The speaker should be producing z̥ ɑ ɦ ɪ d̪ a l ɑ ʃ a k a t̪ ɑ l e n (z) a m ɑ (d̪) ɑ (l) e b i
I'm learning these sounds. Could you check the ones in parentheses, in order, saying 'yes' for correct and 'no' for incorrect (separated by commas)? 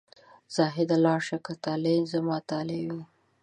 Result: yes, no, yes